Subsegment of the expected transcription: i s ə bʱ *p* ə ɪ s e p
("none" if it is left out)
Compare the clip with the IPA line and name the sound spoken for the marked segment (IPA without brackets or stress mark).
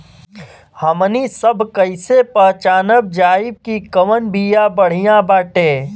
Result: k